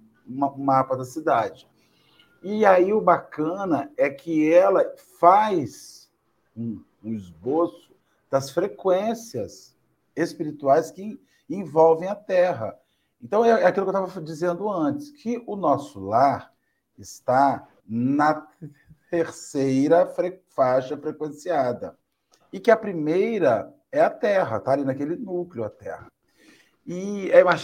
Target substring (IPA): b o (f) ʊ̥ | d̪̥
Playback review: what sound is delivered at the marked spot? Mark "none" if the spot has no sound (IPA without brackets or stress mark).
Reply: s